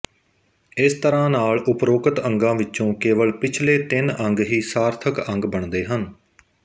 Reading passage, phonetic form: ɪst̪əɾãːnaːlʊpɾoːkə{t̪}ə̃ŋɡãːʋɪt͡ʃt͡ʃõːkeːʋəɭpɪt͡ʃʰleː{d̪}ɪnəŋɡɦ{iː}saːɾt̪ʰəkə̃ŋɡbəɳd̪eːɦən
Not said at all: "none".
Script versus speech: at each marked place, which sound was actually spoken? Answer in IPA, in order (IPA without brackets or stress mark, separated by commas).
t̪, t̪, iː